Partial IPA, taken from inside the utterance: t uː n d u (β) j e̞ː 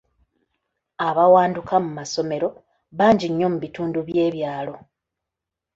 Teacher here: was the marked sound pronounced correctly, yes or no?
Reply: yes